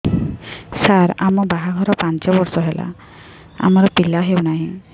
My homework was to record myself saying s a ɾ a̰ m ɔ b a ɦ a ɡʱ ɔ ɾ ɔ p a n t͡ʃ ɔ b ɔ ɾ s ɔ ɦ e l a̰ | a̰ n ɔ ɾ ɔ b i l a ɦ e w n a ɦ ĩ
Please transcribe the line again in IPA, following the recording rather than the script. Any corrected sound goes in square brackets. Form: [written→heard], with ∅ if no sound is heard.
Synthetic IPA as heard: s a ɾ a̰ m ɔ b a ɦ a ɡʱ ɔ ɾ ɔ p a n t͡ʃ ɔ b ɔ ɾ s ɔ ɦ e l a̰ | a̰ [n→m] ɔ ɾ ɔ [b→p] i l a ɦ e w n a ɦ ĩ